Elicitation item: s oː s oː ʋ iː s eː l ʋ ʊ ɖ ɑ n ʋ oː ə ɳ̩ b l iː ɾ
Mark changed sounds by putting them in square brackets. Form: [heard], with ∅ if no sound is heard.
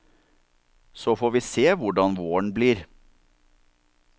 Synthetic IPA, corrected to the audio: s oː [f] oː ʋ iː s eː [∅] ʋ ʊ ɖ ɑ n ʋ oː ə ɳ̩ b l iː ɾ